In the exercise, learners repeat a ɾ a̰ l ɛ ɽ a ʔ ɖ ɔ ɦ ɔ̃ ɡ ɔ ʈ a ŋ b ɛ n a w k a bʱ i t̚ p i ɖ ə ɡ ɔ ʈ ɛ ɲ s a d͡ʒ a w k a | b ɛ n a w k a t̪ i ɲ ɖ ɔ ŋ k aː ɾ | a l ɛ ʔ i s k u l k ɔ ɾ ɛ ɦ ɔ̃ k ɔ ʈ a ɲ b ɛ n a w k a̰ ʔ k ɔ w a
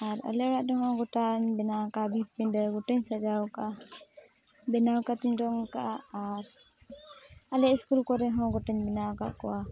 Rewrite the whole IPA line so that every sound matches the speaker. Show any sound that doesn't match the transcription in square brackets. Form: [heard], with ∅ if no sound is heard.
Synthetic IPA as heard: a ɾ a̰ l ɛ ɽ a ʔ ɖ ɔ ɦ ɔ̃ ɡ ɔ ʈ a [ɲ] b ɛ n a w k a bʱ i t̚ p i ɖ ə ɡ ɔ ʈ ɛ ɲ s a d͡ʒ a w k a | b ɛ n a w k a t̪ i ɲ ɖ ɔ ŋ k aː ɾ | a l ɛ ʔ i s k u l k ɔ ɾ ɛ ɦ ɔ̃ [ɡ] ɔ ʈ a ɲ b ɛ n a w k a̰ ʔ k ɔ w a